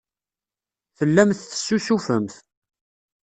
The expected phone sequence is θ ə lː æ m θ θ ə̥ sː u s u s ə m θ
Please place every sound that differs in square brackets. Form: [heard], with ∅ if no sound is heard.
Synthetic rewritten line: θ ə lː æ m θ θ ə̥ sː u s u [f] ə m θ